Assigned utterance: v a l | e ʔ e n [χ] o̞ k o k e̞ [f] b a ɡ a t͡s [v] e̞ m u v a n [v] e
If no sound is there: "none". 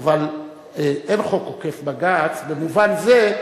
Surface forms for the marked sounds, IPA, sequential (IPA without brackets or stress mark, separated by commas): χ, f, b, z